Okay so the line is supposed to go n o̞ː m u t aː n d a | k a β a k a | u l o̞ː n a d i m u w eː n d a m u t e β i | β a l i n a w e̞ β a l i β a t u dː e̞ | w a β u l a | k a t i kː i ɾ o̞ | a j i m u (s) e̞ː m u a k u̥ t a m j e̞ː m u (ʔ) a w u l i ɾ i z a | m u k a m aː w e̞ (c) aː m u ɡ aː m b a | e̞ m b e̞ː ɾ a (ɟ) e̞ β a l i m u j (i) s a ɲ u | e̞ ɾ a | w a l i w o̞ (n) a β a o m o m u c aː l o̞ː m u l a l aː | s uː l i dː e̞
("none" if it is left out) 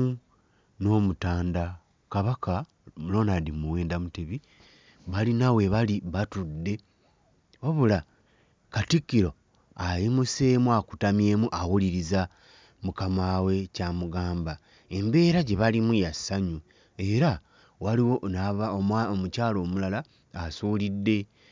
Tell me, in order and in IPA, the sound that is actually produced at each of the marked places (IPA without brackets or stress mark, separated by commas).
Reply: s, ʔ, c, ɟ, a, n